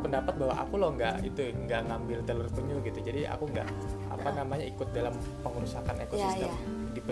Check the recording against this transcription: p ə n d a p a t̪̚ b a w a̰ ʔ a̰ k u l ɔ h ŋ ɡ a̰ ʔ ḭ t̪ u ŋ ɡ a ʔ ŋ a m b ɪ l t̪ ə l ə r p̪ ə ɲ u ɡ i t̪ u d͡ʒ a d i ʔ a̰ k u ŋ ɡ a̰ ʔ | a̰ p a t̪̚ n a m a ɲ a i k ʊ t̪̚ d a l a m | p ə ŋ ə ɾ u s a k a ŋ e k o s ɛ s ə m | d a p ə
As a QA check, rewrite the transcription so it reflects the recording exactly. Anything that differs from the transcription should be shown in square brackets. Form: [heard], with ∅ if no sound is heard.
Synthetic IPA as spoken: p ə n d a p a t̪̚ b a w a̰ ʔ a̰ k u l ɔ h ŋ ɡ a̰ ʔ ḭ t̪ u ŋ ɡ a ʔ ŋ a m b ɪ l t̪ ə l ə r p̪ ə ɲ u ɡ i t̪ u d͡ʒ a d i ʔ a̰ k u ŋ ɡ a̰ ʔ | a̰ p a [∅] n a m a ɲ a i k ʊ t̪̚ d a l a m | p ə ŋ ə ɾ u s a k a [n] e k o s [i] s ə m | d [i] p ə